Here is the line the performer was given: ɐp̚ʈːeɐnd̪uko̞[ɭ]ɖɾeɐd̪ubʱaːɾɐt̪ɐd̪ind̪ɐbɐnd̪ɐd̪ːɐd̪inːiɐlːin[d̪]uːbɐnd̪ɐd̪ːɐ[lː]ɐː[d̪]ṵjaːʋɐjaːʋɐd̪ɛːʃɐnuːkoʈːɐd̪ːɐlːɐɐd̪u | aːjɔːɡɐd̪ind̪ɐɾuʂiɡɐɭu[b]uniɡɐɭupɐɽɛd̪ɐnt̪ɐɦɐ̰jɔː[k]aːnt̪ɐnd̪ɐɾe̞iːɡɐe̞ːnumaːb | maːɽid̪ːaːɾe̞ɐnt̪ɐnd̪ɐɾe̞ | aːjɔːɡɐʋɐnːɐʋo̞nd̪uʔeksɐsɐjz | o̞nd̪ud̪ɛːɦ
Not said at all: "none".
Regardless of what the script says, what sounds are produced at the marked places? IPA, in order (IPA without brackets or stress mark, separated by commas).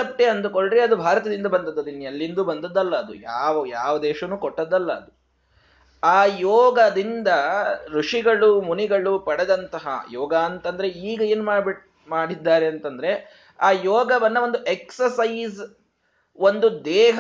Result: ɭ, d̪, lː, d̪, m, ɡ